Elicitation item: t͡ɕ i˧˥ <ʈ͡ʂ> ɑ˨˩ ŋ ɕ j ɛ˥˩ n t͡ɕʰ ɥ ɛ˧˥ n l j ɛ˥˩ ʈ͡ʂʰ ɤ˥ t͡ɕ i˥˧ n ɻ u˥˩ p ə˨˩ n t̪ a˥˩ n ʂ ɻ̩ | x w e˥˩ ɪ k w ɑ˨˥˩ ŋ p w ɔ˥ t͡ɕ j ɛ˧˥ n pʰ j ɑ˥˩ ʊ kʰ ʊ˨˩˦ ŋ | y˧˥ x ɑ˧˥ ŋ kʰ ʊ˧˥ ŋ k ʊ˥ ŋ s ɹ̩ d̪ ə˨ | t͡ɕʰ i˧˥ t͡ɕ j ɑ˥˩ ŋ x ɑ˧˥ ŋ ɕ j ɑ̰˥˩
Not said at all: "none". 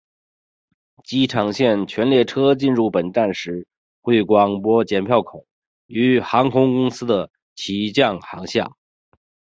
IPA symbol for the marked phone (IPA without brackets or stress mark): ʈ͡ʂʰ